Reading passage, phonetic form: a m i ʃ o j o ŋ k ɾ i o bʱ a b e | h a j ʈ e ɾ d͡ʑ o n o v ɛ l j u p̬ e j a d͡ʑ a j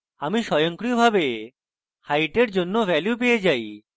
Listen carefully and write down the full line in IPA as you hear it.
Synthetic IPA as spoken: a m i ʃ ɔ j o ŋ k ɾ i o bʱ a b e | h a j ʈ e ɾ d͡ʑ o nː o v ɛ l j u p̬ e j e d͡ʑ a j